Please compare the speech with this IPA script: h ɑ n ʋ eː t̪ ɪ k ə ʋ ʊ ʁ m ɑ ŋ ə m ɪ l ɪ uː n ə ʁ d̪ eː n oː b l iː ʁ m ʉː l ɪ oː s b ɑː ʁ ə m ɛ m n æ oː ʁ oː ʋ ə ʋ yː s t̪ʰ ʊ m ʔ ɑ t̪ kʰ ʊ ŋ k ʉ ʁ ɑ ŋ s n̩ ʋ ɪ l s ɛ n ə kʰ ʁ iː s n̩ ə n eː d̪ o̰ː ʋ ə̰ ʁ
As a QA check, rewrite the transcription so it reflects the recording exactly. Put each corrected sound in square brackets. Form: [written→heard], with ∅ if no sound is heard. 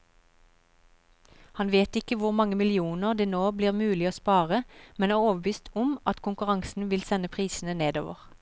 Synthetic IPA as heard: h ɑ n ʋ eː t̪ ɪ k ə ʋ ʊ ʁ m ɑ ŋ ə m ɪ l ɪ uː n ə ʁ d̪ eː n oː b l iː ʁ m ʉː l ɪ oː s [b→p] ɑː ʁ ə m ɛ [m→∅] n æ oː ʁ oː ʋ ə ʋ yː s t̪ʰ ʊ m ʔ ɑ t̪ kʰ ʊ ŋ k ʉ ʁ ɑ ŋ s n̩ ʋ ɪ l s ɛ n ə [kʰ→pʰ] ʁ iː s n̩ ə n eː d̪ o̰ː ʋ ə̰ ʁ